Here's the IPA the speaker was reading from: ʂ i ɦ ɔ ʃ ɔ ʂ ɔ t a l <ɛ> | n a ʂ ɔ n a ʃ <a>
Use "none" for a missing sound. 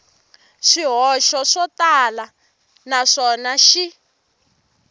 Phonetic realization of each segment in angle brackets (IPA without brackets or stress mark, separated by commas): a, i